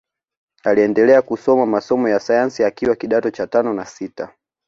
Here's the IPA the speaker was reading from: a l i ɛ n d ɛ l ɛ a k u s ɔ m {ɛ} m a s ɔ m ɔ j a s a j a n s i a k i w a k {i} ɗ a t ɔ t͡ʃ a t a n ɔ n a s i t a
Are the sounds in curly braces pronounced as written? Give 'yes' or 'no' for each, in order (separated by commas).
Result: no, yes